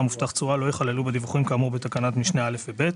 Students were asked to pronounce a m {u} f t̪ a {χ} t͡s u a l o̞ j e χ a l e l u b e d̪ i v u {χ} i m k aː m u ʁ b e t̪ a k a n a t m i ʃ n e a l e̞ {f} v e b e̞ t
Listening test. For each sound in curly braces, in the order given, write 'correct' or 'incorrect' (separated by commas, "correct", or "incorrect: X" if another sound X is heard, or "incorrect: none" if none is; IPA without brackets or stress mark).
correct, correct, correct, correct